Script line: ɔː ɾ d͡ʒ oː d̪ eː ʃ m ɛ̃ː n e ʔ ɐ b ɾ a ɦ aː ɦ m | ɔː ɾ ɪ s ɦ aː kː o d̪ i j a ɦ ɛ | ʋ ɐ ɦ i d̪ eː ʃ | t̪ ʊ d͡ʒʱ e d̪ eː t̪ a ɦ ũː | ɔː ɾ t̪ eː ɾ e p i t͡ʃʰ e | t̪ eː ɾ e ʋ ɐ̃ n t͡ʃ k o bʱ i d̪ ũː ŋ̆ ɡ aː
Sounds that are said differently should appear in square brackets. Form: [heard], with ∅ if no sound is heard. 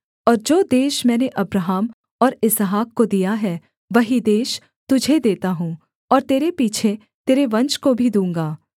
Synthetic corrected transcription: ɔː ɾ d͡ʒ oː d̪ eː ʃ m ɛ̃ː n e ʔ ɐ b ɾ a ɦ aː [∅] m | ɔː ɾ ɪ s ɦ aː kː o d̪ i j a ɦ ɛ | ʋ ɐ ɦ i d̪ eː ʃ | t̪ ʊ d͡ʒʱ e d̪ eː t̪ a ɦ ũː | ɔː ɾ t̪ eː ɾ e p [iː] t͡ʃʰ e | t̪ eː ɾ e ʋ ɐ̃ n t͡ʃ k o bʱ i d̪ ũː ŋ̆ ɡ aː